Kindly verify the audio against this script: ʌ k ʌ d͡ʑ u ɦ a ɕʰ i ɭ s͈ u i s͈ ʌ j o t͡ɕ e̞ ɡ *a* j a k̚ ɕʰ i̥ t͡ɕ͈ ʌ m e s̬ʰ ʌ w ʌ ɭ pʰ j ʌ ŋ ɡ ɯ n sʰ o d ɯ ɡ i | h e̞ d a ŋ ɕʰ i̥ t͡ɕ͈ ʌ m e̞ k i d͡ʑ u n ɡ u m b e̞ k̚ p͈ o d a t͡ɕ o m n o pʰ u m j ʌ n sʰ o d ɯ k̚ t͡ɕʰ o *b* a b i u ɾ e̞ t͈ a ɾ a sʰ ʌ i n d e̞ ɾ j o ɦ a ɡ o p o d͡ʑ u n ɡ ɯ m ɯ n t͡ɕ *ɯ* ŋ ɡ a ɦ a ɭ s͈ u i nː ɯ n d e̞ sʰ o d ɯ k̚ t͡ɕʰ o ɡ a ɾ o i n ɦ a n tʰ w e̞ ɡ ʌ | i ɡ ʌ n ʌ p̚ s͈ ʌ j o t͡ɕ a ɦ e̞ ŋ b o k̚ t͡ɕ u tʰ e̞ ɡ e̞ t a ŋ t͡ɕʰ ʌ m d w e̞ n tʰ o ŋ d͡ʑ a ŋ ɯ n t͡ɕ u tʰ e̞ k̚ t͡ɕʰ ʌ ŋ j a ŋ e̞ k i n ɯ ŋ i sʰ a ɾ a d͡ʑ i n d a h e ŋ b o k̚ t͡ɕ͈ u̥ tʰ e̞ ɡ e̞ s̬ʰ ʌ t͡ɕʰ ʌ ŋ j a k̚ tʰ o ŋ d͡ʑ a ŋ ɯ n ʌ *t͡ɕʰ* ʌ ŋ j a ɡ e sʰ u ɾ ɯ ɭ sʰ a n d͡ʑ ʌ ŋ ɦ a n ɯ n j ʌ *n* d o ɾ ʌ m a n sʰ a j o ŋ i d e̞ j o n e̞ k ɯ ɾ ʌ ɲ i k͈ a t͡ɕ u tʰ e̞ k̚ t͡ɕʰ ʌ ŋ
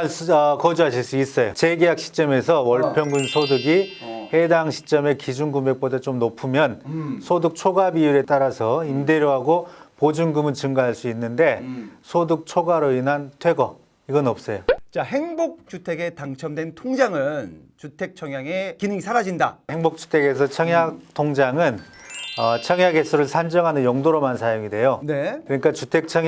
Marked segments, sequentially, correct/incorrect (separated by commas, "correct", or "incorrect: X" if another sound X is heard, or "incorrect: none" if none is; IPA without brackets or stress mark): incorrect: e, incorrect: ɡ, correct, correct, incorrect: ŋ